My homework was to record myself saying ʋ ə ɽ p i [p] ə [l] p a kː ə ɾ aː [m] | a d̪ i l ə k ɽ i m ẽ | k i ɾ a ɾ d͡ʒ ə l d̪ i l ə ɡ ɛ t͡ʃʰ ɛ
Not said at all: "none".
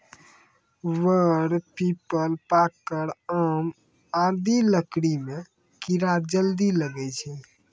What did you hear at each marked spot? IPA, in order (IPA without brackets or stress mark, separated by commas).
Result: p, l, m